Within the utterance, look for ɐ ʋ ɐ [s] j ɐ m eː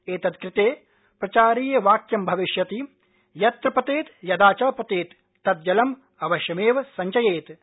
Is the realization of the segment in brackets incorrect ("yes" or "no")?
yes